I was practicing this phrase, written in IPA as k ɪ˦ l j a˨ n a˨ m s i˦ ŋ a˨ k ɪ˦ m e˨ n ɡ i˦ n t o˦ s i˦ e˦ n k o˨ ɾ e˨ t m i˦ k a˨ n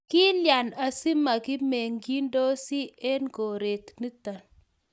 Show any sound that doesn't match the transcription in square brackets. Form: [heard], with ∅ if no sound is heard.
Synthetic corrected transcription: k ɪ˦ l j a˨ n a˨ [∅] s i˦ [m] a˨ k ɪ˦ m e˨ [ŋ] ɡ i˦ n [d] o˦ s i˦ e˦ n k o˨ ɾ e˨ t [n] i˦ [t] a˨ n